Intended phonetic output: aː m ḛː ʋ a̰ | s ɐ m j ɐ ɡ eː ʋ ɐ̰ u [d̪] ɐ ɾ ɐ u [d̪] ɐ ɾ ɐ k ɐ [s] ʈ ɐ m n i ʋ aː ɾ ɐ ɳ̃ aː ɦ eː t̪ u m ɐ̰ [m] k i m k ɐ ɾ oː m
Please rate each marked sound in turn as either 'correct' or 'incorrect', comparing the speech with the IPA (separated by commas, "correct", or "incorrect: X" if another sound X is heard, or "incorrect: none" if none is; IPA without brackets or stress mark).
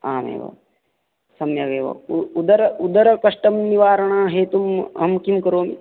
correct, correct, incorrect: ʂ, correct